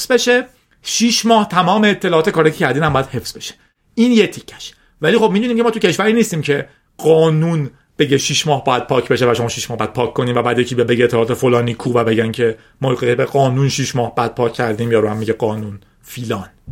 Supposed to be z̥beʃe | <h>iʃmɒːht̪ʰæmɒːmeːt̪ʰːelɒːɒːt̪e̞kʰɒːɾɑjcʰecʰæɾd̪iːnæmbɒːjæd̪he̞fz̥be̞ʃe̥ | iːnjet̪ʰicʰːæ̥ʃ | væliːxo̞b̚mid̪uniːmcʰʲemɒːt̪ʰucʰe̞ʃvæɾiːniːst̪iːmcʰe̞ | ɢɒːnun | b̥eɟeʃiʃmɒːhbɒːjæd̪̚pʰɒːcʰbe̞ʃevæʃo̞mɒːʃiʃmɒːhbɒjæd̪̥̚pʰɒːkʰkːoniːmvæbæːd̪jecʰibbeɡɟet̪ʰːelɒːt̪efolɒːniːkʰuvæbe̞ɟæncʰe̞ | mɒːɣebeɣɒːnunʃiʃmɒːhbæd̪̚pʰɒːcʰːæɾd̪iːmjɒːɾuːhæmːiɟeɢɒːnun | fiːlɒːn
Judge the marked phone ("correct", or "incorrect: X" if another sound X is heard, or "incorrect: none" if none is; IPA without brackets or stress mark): incorrect: ʃ